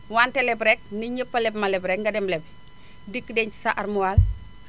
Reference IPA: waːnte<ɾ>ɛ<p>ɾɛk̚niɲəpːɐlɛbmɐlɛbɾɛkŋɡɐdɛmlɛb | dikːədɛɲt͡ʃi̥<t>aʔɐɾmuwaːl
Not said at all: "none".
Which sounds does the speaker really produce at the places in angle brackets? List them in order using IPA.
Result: l, b, s

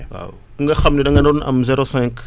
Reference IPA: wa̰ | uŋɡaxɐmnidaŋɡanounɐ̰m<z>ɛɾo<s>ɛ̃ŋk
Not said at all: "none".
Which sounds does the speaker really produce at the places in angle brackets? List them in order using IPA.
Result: z, s

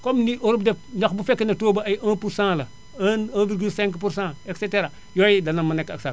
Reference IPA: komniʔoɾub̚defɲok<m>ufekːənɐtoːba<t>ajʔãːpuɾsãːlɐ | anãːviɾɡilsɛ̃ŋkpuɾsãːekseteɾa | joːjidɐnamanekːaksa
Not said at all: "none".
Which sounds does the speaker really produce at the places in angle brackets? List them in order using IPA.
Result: b, none

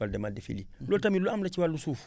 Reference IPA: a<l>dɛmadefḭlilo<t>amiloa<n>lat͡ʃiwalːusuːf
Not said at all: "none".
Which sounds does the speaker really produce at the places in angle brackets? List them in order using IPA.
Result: l, t, m

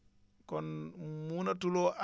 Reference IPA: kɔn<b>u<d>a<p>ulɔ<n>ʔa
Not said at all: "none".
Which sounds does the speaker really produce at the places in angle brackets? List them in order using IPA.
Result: m, n, t, none

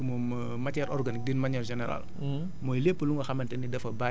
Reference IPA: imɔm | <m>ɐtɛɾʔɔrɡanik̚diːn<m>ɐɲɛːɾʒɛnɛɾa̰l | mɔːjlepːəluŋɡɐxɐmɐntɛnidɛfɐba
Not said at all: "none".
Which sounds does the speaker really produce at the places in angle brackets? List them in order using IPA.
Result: m, m

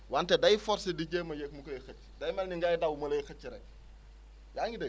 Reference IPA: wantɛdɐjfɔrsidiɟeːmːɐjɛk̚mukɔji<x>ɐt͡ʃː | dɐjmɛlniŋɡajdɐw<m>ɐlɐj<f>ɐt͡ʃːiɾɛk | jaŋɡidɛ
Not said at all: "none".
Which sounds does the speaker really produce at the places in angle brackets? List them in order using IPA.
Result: x, m, x

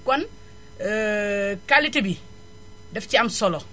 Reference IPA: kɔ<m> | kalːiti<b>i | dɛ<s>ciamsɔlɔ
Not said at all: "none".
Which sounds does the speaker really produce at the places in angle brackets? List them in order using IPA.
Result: n, b, f

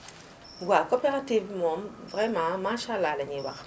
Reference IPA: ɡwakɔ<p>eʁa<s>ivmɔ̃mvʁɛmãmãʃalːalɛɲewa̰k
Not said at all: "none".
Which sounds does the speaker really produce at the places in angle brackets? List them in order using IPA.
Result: p, t

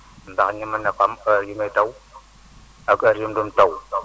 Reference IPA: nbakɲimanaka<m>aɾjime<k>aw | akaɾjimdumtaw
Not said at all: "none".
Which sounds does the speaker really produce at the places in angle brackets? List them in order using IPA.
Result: m, t

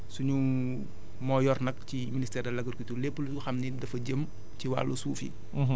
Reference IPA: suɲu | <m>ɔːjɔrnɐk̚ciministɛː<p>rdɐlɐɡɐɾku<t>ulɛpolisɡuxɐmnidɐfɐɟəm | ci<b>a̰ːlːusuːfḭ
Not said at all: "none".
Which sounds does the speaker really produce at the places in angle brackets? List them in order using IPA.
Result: m, none, t, w

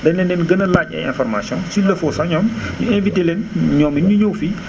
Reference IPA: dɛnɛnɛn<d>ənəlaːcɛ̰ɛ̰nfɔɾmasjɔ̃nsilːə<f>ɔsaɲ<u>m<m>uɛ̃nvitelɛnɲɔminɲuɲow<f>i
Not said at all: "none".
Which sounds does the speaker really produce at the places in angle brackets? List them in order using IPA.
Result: ɡ, f, ɔ, ɲ, f

